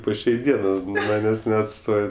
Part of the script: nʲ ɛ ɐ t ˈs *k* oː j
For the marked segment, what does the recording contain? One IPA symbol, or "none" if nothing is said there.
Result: t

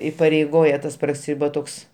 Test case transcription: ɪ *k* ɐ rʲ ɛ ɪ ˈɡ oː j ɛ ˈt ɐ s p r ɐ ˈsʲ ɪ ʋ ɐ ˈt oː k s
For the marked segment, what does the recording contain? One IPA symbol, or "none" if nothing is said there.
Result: p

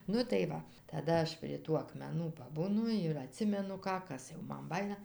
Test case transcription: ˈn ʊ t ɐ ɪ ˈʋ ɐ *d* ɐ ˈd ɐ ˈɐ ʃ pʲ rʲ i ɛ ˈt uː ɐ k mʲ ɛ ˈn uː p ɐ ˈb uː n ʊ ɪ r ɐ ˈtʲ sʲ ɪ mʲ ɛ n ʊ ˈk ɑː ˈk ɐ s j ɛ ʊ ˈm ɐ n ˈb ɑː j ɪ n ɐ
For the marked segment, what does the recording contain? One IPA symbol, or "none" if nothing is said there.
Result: t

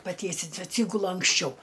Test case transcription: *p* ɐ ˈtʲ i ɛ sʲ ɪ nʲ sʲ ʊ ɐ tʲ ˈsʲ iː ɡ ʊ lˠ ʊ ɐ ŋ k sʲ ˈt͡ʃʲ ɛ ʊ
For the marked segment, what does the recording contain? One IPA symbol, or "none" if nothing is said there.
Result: p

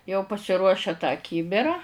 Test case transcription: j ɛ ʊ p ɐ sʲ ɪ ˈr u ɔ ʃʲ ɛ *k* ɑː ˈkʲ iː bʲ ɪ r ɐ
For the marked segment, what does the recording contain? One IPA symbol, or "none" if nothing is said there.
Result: t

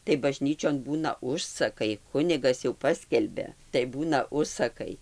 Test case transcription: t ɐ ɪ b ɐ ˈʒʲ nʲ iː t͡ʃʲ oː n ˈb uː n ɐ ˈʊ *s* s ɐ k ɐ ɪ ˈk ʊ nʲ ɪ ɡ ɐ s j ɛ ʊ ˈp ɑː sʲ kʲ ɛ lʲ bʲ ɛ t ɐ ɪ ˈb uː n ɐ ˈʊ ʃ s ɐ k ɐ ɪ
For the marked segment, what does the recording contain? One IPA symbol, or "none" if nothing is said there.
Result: ʃ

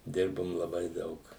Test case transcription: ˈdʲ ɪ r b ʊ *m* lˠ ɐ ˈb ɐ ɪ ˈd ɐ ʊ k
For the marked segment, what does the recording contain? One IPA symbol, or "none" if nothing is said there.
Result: m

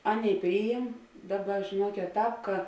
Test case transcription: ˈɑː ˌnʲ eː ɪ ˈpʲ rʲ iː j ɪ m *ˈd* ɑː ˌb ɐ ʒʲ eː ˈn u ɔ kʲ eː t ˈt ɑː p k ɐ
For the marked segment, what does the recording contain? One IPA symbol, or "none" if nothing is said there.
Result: d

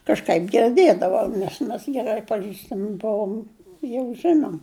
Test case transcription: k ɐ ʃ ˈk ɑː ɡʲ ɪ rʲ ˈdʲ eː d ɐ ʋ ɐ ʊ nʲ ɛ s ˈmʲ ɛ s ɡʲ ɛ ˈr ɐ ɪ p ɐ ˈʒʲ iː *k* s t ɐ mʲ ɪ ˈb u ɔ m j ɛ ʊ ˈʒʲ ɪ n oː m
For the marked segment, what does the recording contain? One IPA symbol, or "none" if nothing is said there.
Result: none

